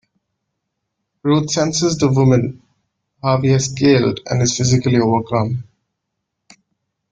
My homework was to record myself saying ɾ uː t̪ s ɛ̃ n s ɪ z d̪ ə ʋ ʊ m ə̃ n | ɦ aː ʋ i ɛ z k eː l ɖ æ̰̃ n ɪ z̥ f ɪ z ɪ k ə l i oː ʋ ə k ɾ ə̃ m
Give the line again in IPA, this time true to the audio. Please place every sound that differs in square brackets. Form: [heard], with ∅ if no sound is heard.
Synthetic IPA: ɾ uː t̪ s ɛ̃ n s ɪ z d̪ ə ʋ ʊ m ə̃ n | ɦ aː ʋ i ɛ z k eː l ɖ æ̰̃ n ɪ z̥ f ɪ z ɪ k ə l i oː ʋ ə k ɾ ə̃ m